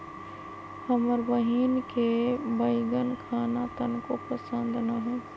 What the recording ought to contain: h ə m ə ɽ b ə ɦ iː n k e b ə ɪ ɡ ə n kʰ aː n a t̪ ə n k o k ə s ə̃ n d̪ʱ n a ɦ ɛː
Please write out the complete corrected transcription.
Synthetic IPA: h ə m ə ɾ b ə ɦ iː n k e b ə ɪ ɡ ə n kʰ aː n a t̪ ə n k o p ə s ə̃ n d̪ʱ n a ɦ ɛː